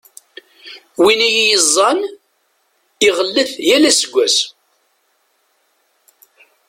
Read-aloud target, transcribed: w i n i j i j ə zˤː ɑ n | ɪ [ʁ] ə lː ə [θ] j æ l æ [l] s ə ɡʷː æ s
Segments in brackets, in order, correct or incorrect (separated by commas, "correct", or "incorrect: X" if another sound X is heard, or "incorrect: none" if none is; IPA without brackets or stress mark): correct, correct, incorrect: none